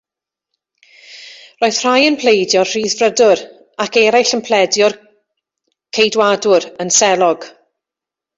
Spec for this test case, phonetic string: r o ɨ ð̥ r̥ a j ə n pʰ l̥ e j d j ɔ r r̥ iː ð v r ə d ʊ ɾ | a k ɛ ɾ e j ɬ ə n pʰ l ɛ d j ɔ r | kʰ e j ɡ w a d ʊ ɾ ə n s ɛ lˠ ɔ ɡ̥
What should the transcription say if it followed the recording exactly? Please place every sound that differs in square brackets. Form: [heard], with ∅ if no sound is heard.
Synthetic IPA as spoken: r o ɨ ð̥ r̥ a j ə n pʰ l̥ e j d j ɔ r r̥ iː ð v r ə d ʊ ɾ | a k ɛ ɾ [a] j ɬ ə n pʰ l ɛ d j ɔ r | kʰ e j [d] w a d ʊ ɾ ə n s ɛ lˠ ɔ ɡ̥